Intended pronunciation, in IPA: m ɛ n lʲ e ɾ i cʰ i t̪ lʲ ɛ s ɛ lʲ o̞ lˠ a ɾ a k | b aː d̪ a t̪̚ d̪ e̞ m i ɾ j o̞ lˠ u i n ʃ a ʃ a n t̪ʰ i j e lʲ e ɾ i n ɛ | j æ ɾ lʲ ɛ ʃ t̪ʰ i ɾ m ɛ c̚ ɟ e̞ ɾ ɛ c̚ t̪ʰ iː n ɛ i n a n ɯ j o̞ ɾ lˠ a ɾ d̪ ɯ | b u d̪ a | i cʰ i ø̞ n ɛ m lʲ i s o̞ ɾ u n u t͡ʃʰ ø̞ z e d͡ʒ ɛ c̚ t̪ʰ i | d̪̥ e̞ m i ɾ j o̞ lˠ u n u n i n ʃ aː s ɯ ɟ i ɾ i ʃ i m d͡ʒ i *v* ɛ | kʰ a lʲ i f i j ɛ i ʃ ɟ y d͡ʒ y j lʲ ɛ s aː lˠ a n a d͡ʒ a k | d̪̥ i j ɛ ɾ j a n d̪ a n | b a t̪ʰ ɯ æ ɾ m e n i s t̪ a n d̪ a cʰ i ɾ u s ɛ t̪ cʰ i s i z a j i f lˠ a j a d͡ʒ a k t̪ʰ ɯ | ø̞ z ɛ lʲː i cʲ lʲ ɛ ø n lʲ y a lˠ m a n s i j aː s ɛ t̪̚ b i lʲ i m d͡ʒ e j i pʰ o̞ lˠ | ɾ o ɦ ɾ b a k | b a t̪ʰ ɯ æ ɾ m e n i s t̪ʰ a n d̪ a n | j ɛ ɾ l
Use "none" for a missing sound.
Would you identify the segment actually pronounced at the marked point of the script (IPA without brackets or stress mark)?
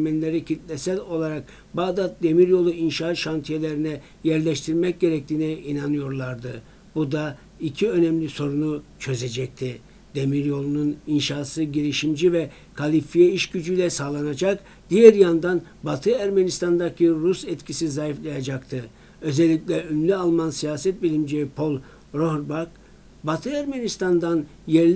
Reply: v